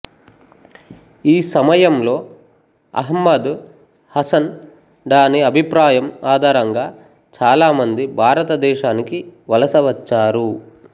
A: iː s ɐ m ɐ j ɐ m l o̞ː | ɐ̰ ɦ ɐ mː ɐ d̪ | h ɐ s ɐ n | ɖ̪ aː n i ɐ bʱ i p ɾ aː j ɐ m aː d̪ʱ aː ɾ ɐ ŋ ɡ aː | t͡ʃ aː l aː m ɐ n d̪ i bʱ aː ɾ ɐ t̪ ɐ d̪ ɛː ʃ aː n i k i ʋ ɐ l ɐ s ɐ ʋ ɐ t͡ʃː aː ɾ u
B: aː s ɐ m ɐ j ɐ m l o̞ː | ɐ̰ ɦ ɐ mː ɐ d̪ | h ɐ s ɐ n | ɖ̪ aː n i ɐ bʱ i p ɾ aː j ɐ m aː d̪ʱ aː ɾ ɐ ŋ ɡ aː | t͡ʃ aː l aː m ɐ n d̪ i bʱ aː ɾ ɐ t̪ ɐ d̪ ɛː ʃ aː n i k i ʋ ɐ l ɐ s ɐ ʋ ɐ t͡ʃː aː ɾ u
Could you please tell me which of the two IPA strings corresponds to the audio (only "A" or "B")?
A